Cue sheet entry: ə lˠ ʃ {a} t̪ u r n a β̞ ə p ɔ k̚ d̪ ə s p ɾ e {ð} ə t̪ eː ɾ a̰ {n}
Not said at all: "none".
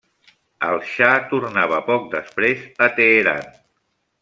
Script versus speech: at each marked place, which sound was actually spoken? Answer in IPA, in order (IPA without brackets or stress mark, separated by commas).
a, z, n